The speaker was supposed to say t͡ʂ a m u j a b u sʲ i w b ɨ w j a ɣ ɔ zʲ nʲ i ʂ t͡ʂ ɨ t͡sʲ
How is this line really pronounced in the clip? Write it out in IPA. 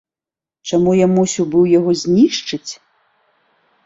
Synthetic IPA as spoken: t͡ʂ a m u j a m u sʲ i w b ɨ w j a ɣ ɔ zʲ nʲ i ʂ t͡ʂ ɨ t͡sʲ